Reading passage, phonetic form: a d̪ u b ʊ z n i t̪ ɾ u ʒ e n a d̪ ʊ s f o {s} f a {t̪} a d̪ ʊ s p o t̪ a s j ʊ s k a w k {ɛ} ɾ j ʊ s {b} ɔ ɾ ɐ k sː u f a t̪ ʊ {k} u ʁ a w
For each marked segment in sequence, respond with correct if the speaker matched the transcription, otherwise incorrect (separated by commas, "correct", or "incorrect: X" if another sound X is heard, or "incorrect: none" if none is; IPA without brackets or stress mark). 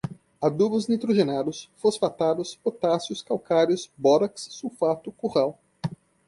correct, correct, incorrect: a, correct, correct